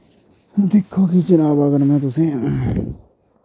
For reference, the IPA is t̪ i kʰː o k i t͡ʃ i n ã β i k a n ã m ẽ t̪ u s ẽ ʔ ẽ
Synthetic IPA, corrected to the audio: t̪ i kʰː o k i t͡ʃ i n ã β a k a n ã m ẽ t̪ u s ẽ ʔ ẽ